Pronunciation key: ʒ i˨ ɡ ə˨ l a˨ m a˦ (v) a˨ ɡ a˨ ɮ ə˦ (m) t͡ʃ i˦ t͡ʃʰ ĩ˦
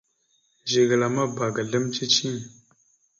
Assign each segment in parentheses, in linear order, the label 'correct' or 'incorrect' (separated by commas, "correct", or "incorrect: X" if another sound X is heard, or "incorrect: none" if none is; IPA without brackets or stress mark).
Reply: incorrect: b, correct